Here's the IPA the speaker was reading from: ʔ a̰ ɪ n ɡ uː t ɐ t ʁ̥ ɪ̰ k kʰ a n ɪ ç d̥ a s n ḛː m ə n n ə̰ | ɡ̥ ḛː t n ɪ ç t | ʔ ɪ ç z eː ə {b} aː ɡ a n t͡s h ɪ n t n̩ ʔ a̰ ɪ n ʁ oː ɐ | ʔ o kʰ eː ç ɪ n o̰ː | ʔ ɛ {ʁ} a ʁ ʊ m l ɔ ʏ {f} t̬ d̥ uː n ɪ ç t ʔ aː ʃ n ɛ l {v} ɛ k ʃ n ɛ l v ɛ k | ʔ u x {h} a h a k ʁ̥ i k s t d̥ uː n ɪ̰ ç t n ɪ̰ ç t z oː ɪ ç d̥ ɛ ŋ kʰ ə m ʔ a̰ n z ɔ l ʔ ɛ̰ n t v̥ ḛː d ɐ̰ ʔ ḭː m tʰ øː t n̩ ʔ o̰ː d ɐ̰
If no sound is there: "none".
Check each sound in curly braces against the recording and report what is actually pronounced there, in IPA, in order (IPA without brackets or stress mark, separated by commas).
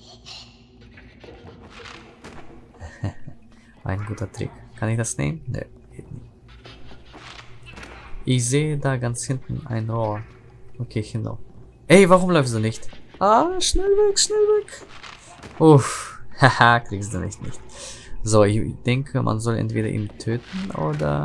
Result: d, v, f, v, h